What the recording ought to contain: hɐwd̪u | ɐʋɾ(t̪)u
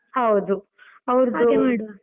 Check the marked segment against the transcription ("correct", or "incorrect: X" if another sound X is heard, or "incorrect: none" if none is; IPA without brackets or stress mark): incorrect: d̪